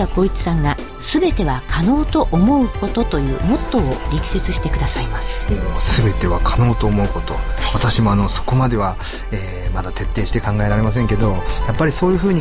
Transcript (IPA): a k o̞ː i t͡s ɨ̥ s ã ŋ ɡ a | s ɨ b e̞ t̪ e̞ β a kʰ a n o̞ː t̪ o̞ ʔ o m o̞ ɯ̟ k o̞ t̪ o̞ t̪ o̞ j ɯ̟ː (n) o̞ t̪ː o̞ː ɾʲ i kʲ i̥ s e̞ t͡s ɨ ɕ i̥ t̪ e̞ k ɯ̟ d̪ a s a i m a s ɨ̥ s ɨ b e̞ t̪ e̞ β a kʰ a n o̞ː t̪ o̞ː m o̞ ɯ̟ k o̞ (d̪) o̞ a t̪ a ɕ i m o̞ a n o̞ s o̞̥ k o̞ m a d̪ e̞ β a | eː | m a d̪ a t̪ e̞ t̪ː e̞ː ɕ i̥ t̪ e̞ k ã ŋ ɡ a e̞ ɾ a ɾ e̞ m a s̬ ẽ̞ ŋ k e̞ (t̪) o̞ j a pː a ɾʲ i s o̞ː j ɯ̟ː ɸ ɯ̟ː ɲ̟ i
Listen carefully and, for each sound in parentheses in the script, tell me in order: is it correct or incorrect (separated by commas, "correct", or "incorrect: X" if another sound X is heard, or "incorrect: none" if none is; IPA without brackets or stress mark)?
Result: incorrect: m, incorrect: t̪, incorrect: d̪